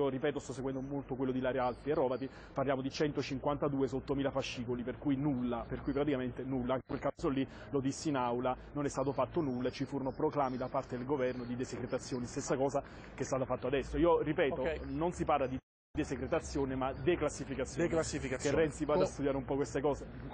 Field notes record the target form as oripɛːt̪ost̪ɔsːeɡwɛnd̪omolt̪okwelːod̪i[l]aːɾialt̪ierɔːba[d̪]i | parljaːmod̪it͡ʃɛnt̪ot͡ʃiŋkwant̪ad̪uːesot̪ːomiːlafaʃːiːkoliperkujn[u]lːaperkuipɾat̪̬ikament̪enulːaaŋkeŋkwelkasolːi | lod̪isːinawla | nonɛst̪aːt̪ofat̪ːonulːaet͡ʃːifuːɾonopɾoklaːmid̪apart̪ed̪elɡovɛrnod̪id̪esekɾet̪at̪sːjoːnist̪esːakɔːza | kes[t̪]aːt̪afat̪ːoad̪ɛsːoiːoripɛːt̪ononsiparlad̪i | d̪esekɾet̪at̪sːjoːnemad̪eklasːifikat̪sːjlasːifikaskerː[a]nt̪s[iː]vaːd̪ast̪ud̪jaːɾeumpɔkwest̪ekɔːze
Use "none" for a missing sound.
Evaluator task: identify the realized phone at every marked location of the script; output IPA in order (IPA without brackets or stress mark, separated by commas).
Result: l, t̪, u, t̪, ɛ, i